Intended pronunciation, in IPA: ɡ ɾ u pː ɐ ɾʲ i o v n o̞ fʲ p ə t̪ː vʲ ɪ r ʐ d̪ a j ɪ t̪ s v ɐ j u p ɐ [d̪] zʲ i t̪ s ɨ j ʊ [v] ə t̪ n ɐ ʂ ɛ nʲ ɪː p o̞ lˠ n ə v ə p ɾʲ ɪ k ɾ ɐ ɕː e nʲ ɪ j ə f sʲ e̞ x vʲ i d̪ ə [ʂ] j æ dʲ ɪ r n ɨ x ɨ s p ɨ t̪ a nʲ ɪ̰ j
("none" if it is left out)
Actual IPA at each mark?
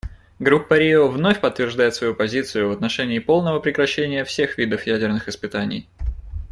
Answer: none, v, f

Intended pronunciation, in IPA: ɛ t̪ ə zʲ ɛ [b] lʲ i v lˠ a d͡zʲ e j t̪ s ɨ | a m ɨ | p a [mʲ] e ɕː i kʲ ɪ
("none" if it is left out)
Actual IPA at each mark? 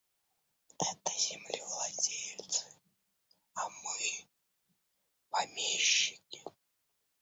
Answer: m, mʲ

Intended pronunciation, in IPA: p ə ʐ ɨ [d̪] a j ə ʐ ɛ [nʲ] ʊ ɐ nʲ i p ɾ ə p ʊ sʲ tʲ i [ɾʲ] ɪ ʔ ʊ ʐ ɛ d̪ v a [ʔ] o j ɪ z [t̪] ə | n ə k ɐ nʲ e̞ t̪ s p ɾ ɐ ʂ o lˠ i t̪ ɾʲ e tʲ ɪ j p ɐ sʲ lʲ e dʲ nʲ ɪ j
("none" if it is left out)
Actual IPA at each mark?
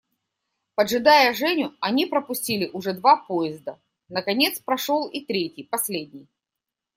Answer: d̪, nʲ, lʲ, p, d̪

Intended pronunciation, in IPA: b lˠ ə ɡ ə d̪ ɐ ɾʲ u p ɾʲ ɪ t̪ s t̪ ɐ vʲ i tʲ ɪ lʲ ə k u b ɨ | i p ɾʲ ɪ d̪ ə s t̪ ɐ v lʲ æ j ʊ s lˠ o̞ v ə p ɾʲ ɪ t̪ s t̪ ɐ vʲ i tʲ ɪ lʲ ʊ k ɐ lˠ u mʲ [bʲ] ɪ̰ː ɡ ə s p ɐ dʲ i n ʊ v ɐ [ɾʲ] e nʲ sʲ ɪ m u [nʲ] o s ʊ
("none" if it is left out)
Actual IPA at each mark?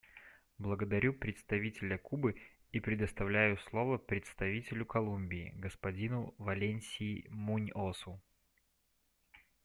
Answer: bʲ, lʲ, nʲ

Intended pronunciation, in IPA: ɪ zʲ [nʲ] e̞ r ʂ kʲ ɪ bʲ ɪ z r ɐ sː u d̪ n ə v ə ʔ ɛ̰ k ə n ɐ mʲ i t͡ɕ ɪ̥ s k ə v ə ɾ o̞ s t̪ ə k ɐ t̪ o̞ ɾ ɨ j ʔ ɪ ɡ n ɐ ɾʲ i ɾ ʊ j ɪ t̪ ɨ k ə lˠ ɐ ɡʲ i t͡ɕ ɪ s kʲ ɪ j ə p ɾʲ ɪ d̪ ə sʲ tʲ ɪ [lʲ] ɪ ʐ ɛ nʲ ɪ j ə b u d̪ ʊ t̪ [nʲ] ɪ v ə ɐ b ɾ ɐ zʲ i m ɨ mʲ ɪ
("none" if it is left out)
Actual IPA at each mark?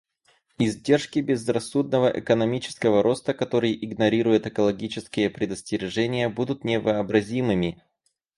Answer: dʲ, ɾʲ, nʲ

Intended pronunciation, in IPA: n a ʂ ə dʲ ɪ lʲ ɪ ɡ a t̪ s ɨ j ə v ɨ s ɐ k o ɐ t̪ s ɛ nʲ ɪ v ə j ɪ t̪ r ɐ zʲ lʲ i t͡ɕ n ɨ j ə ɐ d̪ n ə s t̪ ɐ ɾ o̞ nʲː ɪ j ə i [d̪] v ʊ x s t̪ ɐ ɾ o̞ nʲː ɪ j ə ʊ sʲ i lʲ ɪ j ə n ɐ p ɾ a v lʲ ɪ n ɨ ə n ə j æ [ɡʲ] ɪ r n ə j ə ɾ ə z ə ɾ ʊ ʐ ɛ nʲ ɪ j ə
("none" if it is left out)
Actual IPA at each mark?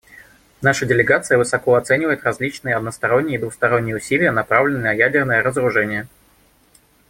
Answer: d̪, dʲ

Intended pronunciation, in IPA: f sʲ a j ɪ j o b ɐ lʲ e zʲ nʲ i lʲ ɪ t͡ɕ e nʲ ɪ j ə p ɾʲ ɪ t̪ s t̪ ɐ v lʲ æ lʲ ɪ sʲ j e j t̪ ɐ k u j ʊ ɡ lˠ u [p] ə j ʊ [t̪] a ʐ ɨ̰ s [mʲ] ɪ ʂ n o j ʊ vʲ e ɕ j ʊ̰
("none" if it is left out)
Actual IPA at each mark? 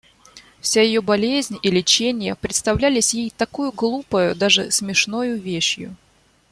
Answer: p, d̪, mʲ

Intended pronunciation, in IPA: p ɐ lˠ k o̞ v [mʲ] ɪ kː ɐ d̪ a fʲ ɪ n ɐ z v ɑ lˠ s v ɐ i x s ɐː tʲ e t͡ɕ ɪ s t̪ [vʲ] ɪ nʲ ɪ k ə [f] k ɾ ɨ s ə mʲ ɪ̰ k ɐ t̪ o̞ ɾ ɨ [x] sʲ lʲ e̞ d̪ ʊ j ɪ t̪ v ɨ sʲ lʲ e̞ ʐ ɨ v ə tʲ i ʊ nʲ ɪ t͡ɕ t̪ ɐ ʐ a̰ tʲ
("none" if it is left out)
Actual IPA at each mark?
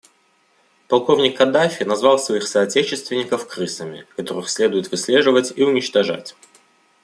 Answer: nʲ, vʲ, f, x

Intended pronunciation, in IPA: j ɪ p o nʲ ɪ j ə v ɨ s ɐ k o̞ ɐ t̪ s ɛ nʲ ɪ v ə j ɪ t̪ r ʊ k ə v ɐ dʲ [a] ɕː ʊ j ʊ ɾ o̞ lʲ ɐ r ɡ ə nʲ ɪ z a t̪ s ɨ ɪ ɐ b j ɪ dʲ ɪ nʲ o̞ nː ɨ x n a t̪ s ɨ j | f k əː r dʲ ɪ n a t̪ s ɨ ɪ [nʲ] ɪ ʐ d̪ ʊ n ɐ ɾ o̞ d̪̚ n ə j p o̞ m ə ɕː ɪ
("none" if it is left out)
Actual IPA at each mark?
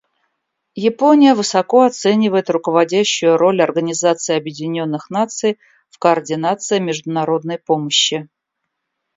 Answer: æ, mʲ

